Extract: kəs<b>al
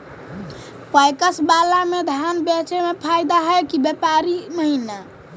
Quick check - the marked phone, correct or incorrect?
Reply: correct